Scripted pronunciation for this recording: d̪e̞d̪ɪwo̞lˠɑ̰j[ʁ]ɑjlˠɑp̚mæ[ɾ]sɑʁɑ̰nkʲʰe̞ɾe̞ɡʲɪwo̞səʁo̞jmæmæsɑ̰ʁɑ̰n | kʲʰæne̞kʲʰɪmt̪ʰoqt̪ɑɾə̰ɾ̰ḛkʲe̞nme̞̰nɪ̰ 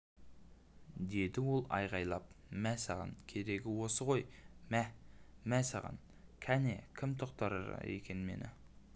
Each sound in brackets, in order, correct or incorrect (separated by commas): correct, incorrect